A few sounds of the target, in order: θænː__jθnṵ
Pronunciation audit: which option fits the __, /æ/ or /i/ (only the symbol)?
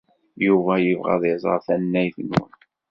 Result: æ